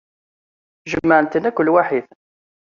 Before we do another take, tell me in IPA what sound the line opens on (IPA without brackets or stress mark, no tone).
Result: ʒ